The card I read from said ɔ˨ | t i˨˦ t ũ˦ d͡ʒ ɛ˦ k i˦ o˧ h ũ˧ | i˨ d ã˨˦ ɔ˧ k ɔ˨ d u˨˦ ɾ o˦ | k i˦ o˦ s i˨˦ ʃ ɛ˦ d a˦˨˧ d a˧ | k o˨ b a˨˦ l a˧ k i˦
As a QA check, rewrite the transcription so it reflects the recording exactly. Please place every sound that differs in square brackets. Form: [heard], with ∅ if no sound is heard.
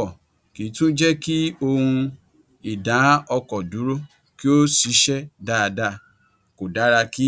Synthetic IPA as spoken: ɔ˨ | [k] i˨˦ t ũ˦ d͡ʒ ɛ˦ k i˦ o˧ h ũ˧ | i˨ d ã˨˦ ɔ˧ k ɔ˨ d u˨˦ ɾ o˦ | k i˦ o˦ s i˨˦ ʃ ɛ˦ d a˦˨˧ d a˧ | k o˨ [d] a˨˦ [ɾ] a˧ k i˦